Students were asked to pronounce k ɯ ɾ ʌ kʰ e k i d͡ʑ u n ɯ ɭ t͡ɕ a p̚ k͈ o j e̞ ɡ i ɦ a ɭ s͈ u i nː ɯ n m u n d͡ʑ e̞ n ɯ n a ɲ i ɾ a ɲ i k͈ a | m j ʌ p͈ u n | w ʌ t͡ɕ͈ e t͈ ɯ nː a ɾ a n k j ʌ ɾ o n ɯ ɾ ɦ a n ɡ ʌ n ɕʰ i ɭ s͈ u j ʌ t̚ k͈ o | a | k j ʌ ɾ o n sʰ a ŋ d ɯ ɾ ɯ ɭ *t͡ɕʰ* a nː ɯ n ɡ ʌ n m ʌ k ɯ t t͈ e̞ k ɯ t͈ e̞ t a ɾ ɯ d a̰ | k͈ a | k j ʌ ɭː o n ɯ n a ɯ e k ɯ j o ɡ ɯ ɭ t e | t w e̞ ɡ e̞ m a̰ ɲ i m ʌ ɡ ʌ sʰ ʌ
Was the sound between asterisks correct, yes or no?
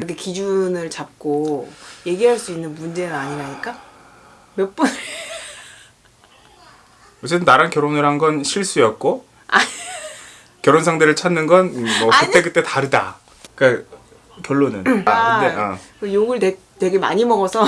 yes